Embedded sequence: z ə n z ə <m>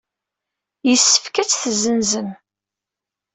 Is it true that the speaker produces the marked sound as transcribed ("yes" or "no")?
no